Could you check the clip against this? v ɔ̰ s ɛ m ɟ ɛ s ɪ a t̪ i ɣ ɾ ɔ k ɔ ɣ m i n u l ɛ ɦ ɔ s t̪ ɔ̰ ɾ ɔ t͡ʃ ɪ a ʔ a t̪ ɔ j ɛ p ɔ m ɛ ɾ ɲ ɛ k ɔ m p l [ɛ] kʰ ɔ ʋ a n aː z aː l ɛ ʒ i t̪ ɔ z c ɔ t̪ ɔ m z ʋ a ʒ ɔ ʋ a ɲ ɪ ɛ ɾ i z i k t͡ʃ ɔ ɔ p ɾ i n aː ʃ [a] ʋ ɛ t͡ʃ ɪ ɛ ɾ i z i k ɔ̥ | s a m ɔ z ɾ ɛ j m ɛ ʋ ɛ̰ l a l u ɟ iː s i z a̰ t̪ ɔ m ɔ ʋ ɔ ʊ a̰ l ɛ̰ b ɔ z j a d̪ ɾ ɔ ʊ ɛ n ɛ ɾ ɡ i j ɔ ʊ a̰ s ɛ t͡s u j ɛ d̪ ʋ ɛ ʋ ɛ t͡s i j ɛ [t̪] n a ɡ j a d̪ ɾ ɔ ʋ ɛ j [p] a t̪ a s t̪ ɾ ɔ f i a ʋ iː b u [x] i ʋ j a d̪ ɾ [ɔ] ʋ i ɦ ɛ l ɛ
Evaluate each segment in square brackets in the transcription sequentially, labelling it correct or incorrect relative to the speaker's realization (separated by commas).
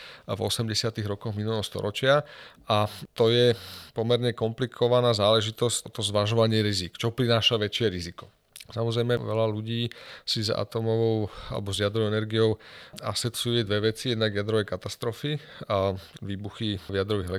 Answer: incorrect, correct, incorrect, incorrect, correct, correct